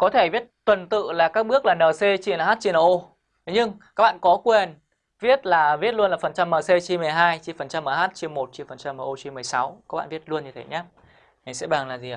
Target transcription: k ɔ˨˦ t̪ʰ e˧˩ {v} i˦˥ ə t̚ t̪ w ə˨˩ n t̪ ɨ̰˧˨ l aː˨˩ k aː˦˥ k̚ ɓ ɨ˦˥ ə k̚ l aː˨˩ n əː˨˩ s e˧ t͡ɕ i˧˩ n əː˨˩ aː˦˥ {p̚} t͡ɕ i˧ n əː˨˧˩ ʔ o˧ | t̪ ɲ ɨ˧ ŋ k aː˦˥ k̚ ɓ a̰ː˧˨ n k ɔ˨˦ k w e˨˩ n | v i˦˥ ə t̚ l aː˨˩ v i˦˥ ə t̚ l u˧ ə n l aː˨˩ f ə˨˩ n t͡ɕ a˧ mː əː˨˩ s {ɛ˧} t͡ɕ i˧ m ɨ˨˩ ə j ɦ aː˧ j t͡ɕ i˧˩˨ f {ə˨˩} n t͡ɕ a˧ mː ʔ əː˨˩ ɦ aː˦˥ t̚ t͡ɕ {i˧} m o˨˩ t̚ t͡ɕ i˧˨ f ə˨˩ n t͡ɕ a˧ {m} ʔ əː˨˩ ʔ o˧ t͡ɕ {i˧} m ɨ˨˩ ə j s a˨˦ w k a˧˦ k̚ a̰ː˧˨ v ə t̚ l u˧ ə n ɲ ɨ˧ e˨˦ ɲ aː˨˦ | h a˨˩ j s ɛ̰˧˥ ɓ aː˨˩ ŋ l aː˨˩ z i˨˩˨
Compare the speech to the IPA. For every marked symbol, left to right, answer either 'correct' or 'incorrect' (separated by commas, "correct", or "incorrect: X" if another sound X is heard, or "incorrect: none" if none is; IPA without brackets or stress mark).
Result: correct, incorrect: t̚, incorrect: e˧, correct, correct, correct, correct